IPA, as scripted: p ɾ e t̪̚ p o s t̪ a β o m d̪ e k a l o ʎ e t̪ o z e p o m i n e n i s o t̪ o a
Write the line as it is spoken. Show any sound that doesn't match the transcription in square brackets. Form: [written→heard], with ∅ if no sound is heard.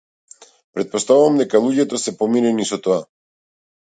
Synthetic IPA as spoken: p ɾ e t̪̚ p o s t̪ a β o m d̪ e k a l [o→u] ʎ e t̪ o [z→s] e p o m i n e n i s o t̪ o a

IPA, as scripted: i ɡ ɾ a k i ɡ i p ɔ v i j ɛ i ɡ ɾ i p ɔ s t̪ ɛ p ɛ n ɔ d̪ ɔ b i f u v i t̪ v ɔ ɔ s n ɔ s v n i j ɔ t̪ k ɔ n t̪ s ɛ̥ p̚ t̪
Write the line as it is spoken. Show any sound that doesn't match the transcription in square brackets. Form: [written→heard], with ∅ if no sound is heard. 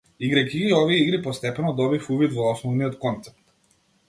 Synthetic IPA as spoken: i ɡ ɾ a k i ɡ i [p→∅] ɔ v i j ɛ i ɡ ɾ i p ɔ s t̪ ɛ p ɛ n ɔ d̪ ɔ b i f u v i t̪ v ɔ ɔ s n ɔ [s→∅] v n i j ɔ t̪ k ɔ n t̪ s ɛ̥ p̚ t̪

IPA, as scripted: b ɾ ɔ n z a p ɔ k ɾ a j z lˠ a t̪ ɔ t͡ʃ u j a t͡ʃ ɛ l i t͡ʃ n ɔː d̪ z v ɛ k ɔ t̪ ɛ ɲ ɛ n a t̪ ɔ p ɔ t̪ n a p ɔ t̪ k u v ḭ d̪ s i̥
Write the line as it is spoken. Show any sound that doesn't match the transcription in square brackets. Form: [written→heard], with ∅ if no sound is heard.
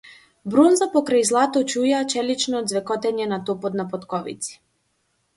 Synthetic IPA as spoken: b ɾ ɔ n z a p ɔ k ɾ a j z lˠ a t̪ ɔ t͡ʃ u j a t͡ʃ ɛ l i t͡ʃ n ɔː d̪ z v ɛ k ɔ t̪ ɛ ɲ ɛ n a t̪ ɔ p ɔ t̪ n a p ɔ t̪ k [u→ɔ] v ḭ [d̪→t̪] s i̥

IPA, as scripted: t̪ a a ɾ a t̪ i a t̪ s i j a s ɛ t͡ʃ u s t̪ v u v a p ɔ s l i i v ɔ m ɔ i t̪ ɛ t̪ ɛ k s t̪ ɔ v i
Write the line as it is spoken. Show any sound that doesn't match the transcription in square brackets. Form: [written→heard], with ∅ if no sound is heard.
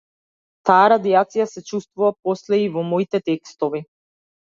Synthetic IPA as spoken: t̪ a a ɾ a [t̪→d̪] i a t̪ s i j a s ɛ t͡ʃ u s t̪ v u v a p ɔ s l [i→ɛ] i v ɔ m ɔ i t̪ ɛ t̪ ɛ k s t̪ ɔ v i

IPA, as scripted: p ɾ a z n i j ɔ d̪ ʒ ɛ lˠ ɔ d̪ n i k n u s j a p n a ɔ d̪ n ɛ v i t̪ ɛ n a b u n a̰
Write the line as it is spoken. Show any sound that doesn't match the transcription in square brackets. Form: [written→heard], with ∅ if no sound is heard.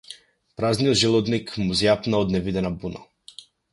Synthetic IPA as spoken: p ɾ a z n i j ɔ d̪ ʒ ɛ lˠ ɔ d̪ n i k [n→m] u [s→z] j a p n a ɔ d̪ n ɛ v i [t̪→d̪] ɛ n a b u n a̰

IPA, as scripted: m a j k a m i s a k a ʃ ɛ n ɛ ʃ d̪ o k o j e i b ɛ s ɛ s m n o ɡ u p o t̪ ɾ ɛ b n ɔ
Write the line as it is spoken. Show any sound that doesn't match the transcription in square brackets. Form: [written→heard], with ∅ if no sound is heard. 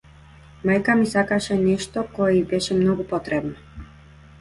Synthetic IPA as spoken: m a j k a m i s a k a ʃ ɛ n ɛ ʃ [d̪→t̪] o k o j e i b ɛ [s→ʃ] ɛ [s→∅] m n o ɡ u p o t̪ ɾ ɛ b n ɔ

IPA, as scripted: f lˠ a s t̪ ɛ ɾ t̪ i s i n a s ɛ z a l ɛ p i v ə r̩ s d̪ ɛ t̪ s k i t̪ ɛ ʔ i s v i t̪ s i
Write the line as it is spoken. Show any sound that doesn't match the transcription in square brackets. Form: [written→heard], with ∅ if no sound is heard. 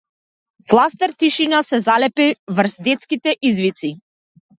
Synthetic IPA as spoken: f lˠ a s t̪ ɛ ɾ t̪ i [s→ʃ] i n a s ɛ z a l ɛ p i v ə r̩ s d̪ ɛ t̪ s k i t̪ ɛ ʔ i [s→z] v i t̪ s i

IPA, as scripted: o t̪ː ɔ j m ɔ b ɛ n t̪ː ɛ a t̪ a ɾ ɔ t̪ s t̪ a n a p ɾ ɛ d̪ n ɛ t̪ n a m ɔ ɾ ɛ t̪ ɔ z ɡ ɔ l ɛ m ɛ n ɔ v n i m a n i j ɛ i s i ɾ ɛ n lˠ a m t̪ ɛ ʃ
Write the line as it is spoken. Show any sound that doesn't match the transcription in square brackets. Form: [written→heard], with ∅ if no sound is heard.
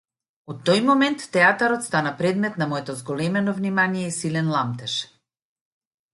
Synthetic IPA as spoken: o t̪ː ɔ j m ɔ [b→m] ɛ n t̪ː ɛ a t̪ a ɾ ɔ t̪ s t̪ a n a p ɾ ɛ d̪ [n→m] ɛ t̪ n a m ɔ [ɾ→∅] ɛ t̪ ɔ z ɡ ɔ l ɛ m ɛ n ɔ v n i m a n i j ɛ i s i [ɾ→l] ɛ n lˠ a m t̪ ɛ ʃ

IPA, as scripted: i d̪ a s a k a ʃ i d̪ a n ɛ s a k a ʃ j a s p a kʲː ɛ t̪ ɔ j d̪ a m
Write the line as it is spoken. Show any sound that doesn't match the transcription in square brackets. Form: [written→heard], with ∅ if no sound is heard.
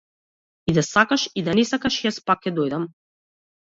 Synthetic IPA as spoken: i d̪ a s a k a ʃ i d̪ a n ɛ s a k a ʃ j a s p a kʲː ɛ [t̪→d̪] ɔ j d̪ a m

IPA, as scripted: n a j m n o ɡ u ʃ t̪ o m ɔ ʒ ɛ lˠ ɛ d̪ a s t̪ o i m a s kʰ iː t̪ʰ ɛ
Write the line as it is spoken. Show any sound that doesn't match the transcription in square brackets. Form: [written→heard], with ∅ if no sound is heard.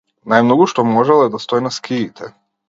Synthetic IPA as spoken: n a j m n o ɡ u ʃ t̪ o m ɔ ʒ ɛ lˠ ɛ d̪ a s t̪ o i [m→n] a s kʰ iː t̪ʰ ɛ

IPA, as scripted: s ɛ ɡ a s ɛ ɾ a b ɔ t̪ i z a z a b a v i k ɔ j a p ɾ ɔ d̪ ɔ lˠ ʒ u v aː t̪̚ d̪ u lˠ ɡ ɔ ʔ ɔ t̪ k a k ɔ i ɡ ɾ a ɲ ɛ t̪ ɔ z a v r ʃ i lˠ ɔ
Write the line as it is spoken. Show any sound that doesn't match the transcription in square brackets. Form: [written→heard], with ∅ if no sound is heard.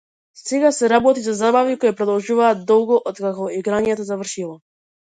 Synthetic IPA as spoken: s ɛ ɡ a s ɛ ɾ a b ɔ t̪ i z a z a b a v i k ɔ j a p ɾ ɔ d̪ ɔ lˠ ʒ u v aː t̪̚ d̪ [u→ɔ] lˠ ɡ ɔ ʔ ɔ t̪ k a k ɔ i ɡ ɾ a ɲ ɛ t̪ ɔ z a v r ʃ i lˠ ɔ

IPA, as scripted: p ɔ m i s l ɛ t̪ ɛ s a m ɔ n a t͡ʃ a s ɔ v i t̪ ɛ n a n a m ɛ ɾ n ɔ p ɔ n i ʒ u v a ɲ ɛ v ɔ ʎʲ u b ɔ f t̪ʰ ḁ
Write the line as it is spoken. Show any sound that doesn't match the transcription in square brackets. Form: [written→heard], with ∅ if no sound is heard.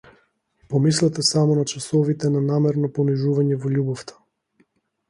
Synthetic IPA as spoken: p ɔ m i s l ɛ t̪ ɛ s a m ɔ n a t͡ʃ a s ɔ v i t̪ ɛ n a n a m ɛ ɾ n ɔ p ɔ n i ʒ u v a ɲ ɛ v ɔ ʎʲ u b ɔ f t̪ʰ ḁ

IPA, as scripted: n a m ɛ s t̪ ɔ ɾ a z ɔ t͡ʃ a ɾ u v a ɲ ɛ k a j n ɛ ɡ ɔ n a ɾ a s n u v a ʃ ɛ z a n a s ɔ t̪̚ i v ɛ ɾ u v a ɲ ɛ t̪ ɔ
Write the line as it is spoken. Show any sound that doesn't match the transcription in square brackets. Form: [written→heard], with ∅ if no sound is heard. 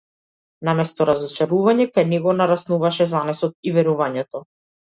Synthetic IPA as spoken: n a m ɛ s t̪ ɔ ɾ a z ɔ t͡ʃ a ɾ u v a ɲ ɛ k a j n ɛ ɡ ɔ n a ɾ a s n u v a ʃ ɛ z a n [a→ɛ] s ɔ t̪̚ i v ɛ ɾ u v a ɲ ɛ t̪ ɔ

